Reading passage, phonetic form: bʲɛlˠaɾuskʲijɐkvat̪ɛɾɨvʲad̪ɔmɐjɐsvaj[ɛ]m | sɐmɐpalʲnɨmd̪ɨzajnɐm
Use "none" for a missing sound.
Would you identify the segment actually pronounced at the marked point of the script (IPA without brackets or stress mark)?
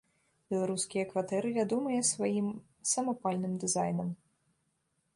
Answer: i